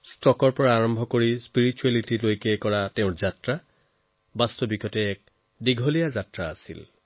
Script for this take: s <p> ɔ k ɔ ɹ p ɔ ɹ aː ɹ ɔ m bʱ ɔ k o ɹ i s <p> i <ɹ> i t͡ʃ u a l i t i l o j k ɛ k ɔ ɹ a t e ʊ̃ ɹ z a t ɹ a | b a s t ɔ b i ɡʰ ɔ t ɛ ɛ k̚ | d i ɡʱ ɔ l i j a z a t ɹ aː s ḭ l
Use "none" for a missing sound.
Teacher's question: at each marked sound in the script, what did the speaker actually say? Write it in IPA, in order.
t, p, ɹ

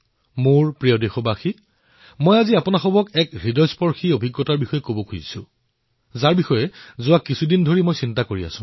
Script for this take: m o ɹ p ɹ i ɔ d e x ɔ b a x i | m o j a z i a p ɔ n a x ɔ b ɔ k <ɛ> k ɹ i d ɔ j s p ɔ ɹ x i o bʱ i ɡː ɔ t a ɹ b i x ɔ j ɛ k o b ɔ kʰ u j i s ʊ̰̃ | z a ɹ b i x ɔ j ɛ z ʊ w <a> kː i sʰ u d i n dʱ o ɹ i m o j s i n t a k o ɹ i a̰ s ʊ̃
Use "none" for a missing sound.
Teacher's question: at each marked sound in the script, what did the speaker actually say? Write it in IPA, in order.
ɛ, a

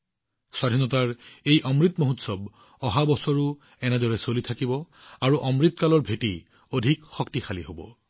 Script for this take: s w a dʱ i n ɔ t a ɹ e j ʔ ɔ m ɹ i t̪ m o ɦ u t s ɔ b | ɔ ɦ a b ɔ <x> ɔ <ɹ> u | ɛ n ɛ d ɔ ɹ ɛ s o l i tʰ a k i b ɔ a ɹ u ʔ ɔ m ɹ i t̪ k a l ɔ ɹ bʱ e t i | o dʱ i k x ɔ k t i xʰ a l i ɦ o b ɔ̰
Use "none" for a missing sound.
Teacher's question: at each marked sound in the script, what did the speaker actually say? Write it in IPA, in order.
s, ɹ

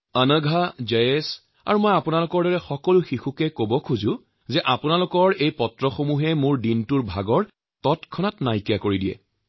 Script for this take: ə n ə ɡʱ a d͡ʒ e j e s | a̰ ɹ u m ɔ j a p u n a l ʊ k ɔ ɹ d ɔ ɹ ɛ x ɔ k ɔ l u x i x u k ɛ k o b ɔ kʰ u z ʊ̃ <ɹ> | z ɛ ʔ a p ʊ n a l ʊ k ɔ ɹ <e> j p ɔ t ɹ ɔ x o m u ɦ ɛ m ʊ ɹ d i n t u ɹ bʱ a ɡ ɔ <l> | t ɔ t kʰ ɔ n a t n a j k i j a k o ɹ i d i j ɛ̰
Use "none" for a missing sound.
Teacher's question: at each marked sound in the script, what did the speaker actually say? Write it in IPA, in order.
none, e, ɹ

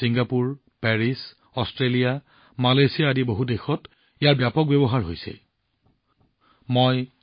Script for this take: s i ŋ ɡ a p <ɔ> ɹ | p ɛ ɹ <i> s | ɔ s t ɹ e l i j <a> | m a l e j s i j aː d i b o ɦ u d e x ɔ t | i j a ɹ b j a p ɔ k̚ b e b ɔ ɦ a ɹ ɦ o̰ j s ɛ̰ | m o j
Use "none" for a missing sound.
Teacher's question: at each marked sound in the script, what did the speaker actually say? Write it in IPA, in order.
u, i, a

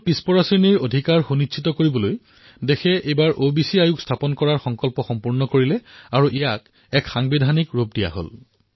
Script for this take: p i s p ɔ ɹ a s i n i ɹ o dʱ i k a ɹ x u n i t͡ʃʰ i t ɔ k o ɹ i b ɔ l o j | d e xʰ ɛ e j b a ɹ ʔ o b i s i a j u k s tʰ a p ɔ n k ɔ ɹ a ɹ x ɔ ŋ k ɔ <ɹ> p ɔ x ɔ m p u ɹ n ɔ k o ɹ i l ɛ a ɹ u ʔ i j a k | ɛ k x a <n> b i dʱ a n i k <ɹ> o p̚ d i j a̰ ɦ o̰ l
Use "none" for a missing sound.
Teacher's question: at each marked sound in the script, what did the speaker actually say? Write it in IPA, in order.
l, ŋ, ɹ

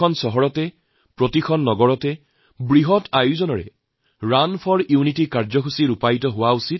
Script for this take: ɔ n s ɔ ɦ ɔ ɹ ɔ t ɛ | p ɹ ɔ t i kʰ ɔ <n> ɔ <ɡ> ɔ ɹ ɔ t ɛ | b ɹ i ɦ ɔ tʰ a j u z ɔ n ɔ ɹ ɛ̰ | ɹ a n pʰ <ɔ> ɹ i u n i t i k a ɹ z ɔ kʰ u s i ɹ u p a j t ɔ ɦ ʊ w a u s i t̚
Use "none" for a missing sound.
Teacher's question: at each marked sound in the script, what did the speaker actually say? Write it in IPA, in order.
nː, ɡ, ɔ

